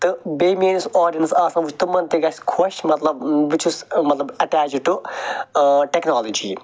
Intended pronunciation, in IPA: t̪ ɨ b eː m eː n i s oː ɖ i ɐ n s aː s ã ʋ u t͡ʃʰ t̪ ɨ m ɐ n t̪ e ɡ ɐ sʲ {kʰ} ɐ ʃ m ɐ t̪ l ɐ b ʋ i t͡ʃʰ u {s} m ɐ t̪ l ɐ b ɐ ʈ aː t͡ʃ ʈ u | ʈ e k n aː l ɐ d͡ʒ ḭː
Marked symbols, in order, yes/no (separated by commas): yes, yes